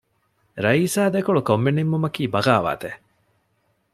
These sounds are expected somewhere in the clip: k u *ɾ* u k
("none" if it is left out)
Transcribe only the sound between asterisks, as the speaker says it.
ɭ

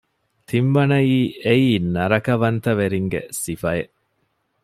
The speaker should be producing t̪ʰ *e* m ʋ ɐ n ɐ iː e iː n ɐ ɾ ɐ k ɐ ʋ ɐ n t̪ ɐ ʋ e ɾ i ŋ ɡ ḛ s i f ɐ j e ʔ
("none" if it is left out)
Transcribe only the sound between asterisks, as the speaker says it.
i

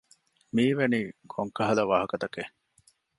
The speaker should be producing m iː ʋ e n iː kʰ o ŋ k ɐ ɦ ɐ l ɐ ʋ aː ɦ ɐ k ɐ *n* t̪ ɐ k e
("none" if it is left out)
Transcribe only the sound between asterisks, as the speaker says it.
none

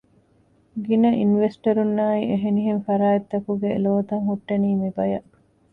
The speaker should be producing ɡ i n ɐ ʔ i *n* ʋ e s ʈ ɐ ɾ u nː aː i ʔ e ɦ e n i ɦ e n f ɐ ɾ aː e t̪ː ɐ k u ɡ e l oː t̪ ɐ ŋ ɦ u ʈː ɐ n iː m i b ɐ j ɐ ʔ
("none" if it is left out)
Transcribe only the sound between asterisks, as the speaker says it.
n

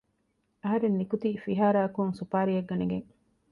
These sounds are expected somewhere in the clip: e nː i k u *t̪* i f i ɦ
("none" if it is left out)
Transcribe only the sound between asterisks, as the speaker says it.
t̪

